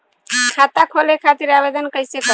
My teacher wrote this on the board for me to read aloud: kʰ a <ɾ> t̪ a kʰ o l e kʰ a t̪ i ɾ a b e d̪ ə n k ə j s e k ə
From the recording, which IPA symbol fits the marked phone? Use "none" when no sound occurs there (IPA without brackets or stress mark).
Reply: none